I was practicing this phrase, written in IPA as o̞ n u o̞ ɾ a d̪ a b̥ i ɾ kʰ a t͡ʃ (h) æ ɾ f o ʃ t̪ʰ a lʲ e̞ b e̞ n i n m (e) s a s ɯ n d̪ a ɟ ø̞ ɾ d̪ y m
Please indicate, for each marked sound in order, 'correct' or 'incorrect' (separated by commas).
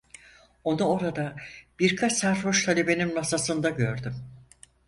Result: incorrect, incorrect